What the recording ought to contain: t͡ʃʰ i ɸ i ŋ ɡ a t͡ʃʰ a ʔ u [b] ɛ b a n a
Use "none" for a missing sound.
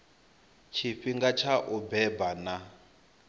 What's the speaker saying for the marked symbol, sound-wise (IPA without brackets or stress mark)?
b